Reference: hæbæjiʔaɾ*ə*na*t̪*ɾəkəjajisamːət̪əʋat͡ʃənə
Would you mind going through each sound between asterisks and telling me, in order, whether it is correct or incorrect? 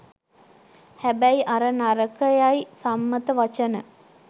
correct, incorrect

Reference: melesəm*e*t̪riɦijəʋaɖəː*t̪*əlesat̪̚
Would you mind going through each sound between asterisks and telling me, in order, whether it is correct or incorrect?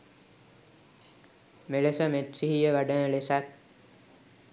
correct, incorrect

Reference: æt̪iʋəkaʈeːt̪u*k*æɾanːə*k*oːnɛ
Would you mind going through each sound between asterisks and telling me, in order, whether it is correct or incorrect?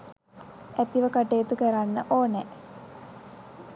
correct, incorrect

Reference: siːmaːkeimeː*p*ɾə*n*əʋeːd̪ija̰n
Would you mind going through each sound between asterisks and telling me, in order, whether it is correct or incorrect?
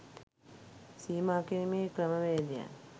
incorrect, incorrect

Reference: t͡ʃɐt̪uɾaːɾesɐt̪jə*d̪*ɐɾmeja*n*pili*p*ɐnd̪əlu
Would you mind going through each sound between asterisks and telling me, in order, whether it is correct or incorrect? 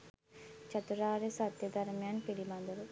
correct, correct, incorrect

